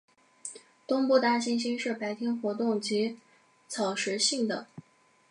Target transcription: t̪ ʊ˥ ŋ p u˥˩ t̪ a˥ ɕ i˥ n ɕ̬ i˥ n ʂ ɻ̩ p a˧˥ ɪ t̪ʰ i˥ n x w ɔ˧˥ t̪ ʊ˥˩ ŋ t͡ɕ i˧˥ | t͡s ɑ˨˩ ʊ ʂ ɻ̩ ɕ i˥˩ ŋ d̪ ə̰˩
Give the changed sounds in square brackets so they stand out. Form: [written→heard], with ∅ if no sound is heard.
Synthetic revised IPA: t̪ ʊ˥ ŋ p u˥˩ t̪ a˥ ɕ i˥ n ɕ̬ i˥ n ʂ ɻ̩ p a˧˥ ɪ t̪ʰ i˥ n x w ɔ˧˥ t̪ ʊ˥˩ ŋ t͡ɕ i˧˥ | [t͡s→t͡sʰ] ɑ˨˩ ʊ ʂ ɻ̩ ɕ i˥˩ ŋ d̪ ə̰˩